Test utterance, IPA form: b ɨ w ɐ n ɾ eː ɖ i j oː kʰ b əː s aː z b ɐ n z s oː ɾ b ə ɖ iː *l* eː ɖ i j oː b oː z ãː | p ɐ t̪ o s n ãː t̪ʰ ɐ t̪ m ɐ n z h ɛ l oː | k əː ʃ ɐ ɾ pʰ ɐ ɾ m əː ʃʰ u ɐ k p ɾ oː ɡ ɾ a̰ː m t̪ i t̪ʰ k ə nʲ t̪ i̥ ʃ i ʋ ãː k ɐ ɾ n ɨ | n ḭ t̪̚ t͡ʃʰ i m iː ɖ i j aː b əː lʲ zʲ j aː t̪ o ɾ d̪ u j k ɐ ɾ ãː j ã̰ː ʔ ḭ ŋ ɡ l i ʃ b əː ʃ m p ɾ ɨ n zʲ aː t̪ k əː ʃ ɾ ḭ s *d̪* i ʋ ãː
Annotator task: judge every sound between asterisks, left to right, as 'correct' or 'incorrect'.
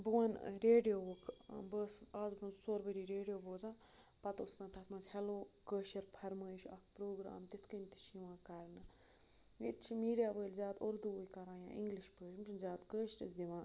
incorrect, correct

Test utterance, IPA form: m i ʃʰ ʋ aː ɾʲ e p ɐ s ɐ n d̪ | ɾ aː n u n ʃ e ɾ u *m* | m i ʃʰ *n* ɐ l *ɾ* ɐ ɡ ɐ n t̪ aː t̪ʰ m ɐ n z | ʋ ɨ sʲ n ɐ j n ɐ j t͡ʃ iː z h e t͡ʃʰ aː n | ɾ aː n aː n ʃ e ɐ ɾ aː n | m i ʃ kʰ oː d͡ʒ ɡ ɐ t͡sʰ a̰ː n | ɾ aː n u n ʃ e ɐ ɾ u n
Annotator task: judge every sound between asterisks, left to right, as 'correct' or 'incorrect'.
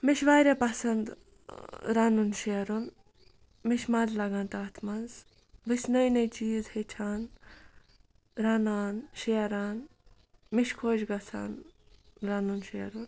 incorrect, incorrect, incorrect

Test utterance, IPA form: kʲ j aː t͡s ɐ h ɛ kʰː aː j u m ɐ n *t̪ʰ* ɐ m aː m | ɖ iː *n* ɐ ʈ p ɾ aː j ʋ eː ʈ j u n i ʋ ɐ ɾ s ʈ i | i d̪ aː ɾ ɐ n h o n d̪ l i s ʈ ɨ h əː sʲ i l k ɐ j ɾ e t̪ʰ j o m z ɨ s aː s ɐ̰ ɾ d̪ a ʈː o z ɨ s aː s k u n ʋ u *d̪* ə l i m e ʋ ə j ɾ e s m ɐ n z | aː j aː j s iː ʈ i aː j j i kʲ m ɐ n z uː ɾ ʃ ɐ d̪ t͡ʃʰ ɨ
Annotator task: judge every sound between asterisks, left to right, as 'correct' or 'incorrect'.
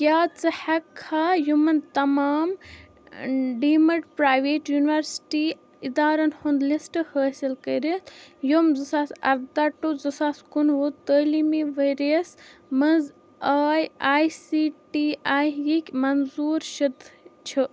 incorrect, incorrect, incorrect

